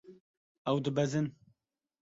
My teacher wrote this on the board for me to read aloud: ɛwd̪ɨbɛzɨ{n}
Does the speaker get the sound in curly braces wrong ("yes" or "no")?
no